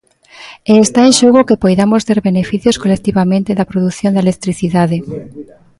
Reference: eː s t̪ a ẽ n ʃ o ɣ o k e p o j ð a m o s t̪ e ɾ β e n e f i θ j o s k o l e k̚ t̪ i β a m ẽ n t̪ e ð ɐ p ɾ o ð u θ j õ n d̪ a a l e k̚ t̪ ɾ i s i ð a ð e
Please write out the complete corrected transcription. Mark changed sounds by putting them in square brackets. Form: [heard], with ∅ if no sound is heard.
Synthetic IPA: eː s t̪ a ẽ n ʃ o ɣ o k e p o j ð a m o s t̪ e ɾ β e n e f i θ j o s k o l e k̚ t̪ i β a m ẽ n t̪ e ð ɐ p ɾ o ð u θ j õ n d̪ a [e] l e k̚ t̪ ɾ i [θ] i ð a ð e